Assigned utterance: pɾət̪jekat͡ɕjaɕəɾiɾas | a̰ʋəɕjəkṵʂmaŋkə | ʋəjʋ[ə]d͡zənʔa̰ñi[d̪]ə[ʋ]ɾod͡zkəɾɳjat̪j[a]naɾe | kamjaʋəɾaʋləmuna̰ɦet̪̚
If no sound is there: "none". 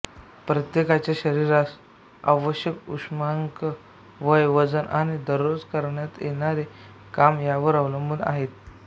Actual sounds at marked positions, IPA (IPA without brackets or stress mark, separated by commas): ə, d̪, none, e